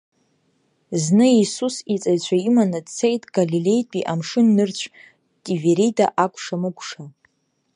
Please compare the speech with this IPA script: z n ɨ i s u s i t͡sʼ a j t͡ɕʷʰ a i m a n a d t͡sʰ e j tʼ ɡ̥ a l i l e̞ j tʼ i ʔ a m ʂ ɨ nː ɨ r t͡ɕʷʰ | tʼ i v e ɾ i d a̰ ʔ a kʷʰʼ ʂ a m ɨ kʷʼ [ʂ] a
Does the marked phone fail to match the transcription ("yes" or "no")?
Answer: no